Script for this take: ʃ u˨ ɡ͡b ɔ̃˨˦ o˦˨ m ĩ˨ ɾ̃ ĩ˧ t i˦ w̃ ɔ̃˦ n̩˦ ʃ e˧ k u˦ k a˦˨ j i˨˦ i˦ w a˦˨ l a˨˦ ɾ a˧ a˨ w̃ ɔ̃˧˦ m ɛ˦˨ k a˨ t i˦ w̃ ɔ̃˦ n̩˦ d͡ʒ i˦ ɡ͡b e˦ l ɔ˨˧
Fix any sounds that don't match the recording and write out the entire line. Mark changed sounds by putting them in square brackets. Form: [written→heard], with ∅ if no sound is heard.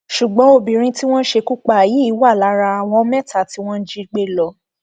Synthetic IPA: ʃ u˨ ɡ͡b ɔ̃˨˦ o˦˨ [m→b] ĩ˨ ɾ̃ ĩ˧ t i˦ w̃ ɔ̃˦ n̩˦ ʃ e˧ k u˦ [k→k͡p] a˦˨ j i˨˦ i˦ w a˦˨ l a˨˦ ɾ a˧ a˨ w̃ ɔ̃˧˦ m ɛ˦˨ [k→t] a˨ t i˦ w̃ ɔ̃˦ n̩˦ d͡ʒ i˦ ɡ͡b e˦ l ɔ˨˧